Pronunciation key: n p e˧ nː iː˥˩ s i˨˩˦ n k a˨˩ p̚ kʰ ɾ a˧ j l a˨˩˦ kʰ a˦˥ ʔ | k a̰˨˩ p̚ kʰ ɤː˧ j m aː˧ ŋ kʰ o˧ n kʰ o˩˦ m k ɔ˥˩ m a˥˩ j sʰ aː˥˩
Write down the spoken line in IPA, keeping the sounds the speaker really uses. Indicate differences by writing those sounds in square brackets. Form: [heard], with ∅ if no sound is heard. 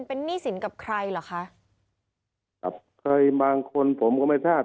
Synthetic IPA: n p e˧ nː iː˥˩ s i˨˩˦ n k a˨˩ p̚ kʰ ɾ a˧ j l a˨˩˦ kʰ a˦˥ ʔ | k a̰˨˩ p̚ kʰ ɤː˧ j [b] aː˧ ŋ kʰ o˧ n [pʰ] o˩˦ m k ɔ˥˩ m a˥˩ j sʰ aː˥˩